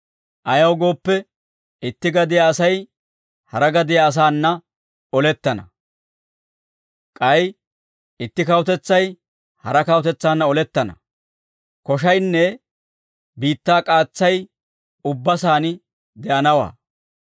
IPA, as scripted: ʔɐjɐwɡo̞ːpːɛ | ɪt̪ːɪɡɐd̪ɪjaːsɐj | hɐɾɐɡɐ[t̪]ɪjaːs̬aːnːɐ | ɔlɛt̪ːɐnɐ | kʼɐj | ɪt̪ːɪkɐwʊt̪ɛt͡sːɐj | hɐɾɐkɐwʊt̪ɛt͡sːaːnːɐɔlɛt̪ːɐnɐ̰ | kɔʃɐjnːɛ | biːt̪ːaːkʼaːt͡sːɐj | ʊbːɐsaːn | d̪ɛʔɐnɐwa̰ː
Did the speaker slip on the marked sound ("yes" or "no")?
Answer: yes